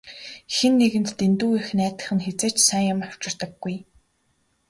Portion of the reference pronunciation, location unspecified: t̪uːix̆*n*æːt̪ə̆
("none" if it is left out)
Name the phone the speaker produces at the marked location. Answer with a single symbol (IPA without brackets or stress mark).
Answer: n